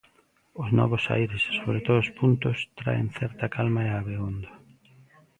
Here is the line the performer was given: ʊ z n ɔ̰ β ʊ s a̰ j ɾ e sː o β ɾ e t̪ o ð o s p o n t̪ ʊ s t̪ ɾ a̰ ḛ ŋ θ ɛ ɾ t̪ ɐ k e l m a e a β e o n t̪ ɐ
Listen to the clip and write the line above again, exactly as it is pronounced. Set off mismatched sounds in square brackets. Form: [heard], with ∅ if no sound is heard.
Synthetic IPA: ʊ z n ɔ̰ β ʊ s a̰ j ɾ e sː o β ɾ e t̪ o ð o s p [u] n t̪ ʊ s t̪ ɾ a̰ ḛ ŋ θ ɛ ɾ t̪ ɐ k [a] l m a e a β e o n [d̪] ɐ

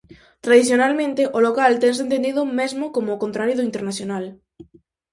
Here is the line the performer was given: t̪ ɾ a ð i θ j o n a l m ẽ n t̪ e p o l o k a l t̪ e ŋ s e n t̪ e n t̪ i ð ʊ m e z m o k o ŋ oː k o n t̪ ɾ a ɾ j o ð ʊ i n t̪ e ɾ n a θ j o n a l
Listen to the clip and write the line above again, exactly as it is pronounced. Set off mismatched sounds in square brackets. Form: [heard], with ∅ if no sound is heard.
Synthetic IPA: t̪ ɾ a ð i θ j o n a l m ẽ n t̪ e [ʔ] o l o k a l t̪ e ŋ s e n t̪ e n [d̪] i ð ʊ m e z m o k o [m] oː k o n t̪ ɾ a ɾ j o ð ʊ i n t̪ e ɾ n a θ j o n a l

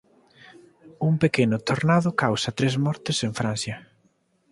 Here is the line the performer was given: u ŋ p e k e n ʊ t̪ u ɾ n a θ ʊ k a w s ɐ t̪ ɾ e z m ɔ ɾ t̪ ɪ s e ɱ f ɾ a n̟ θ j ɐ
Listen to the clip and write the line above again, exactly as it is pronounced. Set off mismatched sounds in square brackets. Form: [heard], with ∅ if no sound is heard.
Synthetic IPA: u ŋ p e k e n ʊ t̪ [o] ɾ n a [ð] ʊ k a w s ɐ t̪ ɾ e z m ɔ ɾ t̪ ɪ s e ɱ f ɾ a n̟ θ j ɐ

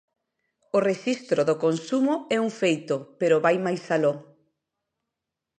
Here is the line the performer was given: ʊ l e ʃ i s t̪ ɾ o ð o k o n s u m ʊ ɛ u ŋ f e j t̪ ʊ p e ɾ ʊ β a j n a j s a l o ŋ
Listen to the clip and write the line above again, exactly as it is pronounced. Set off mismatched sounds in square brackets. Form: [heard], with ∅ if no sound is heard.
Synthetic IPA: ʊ [r] e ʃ i s t̪ ɾ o ð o k o n s u m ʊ ɛ u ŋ f e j t̪ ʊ p e ɾ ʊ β a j [m] a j s a l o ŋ

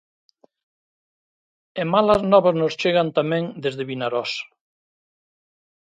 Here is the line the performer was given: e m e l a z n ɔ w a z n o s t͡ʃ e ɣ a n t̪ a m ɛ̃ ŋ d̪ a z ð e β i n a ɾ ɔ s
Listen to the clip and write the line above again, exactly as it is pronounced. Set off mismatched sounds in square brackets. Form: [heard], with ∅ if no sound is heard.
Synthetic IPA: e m [a] l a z n ɔ [β] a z n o s t͡ʃ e ɣ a n t̪ a m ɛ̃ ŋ d̪ [e] z ð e β i n a ɾ ɔ s

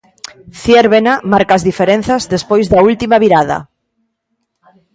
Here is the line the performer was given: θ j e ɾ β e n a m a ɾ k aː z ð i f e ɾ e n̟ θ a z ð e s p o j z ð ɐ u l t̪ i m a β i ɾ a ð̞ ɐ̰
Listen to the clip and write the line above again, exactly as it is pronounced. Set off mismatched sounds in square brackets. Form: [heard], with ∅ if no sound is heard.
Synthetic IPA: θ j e ɾ β e n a m a ɾ k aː z ð i f e ɾ e n̟ θ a z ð e s p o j z ð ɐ u l t̪ i m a β i ɾ a ð̞ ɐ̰

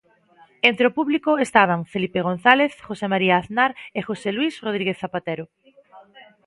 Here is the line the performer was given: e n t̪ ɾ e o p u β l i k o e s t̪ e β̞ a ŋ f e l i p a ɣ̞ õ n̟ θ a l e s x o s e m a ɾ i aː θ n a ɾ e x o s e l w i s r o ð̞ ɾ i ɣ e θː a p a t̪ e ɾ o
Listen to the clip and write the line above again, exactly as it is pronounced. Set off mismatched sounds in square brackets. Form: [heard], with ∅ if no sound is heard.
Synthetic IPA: e n t̪ ɾ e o p u β l i k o e s t̪ [a] β̞ a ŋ f e l i p [e] ɣ̞ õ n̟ θ a l e [θ] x o s e m a ɾ i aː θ n a ɾ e x o s e l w i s r o ð̞ ɾ i ɣ e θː a p a t̪ e ɾ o

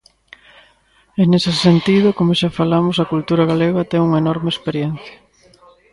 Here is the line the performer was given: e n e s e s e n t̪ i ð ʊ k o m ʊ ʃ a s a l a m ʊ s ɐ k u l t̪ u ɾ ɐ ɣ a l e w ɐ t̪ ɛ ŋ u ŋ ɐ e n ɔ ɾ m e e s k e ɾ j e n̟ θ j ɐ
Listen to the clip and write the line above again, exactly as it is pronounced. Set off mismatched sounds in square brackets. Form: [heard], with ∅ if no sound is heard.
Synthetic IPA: e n e s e s e n t̪ i ð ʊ k o m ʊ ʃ a [f] a l a m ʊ s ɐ k u l t̪ u ɾ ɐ ɣ a l e [ɣ] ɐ t̪ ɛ ŋ u ŋ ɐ e n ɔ ɾ m e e s [p] e ɾ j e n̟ θ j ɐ

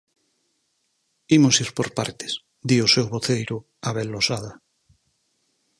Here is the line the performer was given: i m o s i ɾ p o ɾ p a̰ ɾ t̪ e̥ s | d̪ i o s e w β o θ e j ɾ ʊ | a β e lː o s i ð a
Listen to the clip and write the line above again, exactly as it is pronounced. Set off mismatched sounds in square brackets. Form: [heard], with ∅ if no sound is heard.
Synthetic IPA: i m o s i ɾ p o ɾ p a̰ ɾ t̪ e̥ s | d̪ i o s e w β o θ e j ɾ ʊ | a β e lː o s [a] ð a

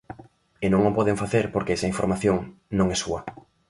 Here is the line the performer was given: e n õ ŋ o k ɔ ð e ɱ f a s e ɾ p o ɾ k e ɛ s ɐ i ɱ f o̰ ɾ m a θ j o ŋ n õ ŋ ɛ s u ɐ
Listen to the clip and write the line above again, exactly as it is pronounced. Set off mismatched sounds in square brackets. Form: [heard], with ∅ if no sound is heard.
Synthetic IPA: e n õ ŋ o [p] ɔ ð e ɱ f a [θ] e ɾ p o ɾ k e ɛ s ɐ i ɱ f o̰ ɾ m a θ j o ŋ n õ ŋ ɛ s u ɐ

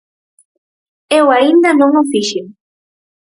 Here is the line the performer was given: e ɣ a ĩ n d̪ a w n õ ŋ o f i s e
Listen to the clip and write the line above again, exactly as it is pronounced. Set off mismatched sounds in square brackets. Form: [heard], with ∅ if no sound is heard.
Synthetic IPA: e [w] a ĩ n d̪ a [∅] n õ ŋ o f i [ʃ] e

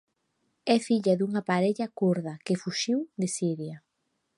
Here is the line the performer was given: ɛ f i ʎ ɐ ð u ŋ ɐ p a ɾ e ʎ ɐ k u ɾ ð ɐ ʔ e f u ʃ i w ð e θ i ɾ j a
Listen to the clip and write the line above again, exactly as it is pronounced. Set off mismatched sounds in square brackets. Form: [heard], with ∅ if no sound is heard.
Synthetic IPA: ɛ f i ʎ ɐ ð u ŋ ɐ p a ɾ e ʎ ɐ k u ɾ ð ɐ [k] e f u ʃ i w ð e [s] i ɾ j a

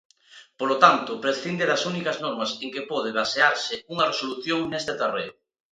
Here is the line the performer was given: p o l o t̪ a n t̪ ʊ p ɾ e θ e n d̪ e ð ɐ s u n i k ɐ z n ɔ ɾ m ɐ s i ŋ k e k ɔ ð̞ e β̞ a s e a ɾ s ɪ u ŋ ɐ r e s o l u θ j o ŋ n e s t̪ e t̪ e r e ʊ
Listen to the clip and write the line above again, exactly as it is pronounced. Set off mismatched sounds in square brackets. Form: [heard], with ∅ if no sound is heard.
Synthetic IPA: p o l o t̪ a n t̪ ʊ p ɾ e θ [i] n d̪ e ð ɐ s u n i k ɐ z n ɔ ɾ m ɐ s [e] ŋ k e [p] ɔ ð̞ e β̞ a s e a ɾ s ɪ u ŋ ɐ r e s o l u θ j o ŋ n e s t̪ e t̪ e r e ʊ

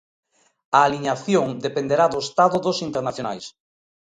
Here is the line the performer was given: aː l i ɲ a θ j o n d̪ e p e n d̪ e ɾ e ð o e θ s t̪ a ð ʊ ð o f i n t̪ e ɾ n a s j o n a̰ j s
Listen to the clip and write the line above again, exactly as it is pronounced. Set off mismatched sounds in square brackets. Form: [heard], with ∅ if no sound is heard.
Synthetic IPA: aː l i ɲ a θ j o [ŋ] d̪ e p e n d̪ e ɾ [a] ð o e [∅] s t̪ a ð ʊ ð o [s] i n t̪ e ɾ n a [θ] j o n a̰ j s

